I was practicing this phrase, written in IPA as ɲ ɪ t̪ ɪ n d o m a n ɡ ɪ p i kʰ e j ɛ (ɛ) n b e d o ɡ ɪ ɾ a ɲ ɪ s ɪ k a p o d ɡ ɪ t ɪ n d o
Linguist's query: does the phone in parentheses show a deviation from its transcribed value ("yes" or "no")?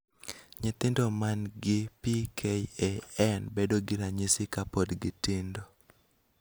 no